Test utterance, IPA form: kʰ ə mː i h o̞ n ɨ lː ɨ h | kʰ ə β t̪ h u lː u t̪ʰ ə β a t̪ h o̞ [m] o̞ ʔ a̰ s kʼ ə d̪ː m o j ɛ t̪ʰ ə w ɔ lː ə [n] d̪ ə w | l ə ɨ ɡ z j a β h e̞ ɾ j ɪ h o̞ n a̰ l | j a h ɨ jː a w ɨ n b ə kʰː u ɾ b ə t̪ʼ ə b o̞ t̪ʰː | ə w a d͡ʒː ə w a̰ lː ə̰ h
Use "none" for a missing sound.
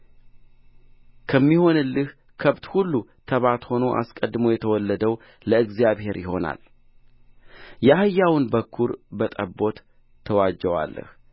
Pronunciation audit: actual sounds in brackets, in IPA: n, none

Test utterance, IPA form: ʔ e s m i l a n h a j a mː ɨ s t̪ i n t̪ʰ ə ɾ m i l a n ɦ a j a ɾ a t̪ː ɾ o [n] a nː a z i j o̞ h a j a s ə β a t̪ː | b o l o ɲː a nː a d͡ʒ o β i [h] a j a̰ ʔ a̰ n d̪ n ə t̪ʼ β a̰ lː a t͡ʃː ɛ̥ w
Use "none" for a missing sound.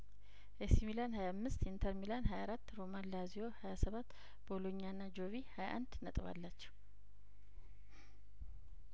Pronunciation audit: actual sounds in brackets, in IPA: m, h

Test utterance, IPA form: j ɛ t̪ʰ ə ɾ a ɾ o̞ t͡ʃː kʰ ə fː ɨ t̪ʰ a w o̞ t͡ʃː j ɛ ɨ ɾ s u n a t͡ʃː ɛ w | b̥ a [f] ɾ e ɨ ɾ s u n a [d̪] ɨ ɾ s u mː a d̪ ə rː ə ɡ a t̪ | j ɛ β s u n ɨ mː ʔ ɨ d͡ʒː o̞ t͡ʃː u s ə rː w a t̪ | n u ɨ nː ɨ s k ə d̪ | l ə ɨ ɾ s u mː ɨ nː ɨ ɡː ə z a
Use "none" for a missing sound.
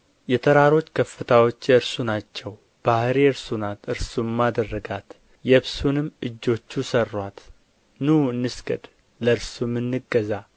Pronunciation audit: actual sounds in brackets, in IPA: h, t̪

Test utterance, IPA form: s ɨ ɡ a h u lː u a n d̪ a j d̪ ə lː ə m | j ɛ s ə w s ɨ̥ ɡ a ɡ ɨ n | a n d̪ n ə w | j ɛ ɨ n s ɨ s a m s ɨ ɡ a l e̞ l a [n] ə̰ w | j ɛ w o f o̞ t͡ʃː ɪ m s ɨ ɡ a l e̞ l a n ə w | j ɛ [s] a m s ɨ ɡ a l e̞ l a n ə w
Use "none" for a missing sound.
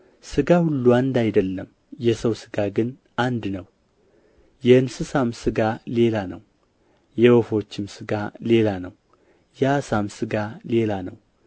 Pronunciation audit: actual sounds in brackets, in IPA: n, s

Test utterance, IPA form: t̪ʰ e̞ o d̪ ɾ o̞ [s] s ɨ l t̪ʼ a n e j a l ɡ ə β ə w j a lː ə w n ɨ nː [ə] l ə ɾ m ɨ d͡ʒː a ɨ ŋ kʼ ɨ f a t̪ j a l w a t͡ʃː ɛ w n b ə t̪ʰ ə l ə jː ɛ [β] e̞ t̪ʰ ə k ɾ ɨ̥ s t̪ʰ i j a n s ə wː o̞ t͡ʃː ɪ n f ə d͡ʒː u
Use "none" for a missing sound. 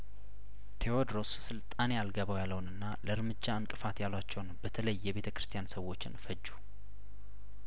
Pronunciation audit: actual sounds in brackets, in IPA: s, a, β

